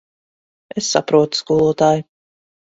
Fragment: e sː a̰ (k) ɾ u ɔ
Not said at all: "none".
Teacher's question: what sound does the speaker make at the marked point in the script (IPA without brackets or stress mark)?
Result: p